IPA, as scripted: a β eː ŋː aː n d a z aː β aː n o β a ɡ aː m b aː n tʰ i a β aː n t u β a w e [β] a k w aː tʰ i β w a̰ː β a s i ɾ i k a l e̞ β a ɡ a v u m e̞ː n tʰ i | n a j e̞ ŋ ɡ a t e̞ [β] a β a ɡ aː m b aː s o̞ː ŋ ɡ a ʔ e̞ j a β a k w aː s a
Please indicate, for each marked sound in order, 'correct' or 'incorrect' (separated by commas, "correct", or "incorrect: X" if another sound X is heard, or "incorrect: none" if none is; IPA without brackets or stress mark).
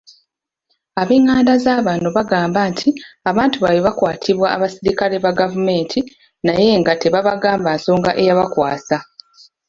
correct, correct